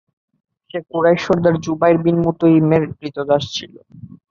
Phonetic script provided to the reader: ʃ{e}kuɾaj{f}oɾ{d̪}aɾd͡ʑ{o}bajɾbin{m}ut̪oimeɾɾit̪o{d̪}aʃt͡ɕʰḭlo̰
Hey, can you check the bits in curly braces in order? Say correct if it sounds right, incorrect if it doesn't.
correct, incorrect: ʃ, correct, incorrect: u, correct, correct

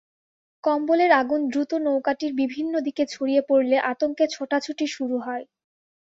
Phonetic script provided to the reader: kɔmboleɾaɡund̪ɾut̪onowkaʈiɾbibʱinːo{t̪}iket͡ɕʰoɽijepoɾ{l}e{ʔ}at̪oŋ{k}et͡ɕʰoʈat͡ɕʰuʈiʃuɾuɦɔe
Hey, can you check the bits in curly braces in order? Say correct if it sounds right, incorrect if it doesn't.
incorrect: d̪, correct, correct, correct

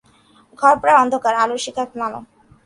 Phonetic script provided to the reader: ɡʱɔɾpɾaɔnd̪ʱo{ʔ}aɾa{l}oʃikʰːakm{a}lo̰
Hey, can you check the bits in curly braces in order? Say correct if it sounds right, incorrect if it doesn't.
incorrect: k, correct, correct

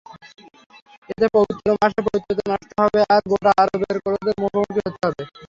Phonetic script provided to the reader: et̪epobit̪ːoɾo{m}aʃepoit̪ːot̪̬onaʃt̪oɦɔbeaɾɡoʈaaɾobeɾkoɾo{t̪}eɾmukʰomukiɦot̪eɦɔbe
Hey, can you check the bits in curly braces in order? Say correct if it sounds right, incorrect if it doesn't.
correct, incorrect: d̪

